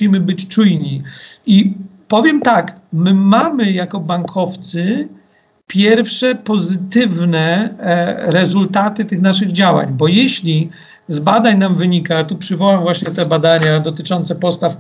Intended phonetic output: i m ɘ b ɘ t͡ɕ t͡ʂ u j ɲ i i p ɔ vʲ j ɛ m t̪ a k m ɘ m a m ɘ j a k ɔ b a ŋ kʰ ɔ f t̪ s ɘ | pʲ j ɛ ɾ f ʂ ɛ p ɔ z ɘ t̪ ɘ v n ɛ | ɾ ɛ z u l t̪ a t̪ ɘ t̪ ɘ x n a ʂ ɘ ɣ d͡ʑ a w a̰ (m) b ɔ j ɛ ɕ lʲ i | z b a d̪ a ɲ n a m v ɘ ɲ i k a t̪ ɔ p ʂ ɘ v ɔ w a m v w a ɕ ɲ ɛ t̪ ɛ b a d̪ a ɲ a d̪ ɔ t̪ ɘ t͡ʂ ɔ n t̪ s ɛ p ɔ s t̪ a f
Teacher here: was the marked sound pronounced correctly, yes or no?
no